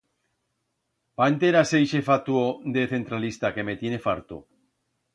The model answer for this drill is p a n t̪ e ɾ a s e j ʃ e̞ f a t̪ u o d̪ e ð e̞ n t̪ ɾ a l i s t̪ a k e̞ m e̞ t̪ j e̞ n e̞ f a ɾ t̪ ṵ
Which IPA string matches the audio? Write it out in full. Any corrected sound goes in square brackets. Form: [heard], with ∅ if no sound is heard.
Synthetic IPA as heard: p a n t̪ e ɾ a s e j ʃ e̞ f a t̪ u o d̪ e [θ] e̞ n t̪ ɾ a l i s t̪ a k e̞ m e̞ t̪ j e̞ n e̞ f a ɾ t̪ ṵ